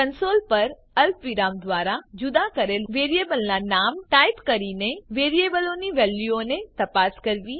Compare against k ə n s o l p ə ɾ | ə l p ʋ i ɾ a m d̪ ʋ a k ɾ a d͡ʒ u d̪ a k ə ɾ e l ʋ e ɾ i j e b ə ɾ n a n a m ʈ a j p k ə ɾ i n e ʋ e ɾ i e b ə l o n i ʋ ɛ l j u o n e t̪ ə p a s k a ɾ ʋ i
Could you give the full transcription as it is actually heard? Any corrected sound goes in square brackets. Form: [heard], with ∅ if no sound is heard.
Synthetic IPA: k ə n s o l p ə ɾ | ə l p ʋ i ɾ a m d̪ ʋ a [∅] ɾ a d͡ʒ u d̪ a k ə ɾ e l ʋ e ɾ i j e b ə [l] n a n a m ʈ a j p k ə ɾ i n e ʋ e ɾ i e b ə l o n i ʋ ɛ l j u o n e t̪ ə p a s k [ə] ɾ ʋ i